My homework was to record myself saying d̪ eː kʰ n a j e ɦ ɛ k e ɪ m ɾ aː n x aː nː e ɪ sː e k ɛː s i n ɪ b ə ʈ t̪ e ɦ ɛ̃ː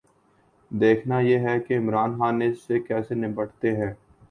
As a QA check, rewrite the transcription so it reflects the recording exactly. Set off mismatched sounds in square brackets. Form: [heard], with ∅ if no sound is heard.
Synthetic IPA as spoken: d̪ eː kʰ n a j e ɦ ɛ k e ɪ m ɾ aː n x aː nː e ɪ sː e k ɛː s [e] n ɪ b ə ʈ t̪ e ɦ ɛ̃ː